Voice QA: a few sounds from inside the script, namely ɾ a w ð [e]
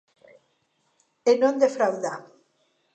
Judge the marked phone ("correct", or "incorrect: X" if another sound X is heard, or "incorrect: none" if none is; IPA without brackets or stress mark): incorrect: a